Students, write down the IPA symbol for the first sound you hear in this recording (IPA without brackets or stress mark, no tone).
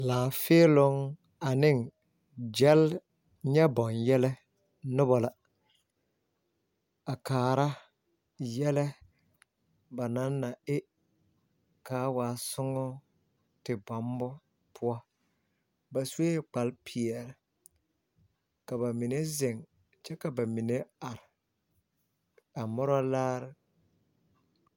l